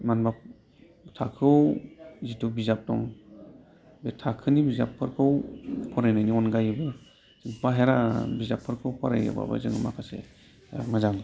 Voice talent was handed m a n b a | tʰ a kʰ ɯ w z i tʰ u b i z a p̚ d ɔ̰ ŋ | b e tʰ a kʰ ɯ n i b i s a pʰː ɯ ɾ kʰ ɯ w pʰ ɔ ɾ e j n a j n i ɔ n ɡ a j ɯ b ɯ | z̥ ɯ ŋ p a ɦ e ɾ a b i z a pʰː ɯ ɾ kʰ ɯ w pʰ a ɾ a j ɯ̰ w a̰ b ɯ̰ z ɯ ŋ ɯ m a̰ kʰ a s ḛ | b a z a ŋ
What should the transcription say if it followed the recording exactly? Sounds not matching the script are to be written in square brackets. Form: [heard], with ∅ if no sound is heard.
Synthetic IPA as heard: m a n b a | tʰ a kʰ ɯ w z i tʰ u b i z a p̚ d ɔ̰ ŋ | b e tʰ a kʰ ɯ n i b i [z] a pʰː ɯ ɾ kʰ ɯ w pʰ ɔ ɾ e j n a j n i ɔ n ɡ a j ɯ b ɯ | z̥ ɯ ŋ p a ɦ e ɾ a b i z a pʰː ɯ ɾ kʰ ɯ w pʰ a ɾ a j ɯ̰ [b] a̰ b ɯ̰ z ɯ ŋ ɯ m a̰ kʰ a s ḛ | [m] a z a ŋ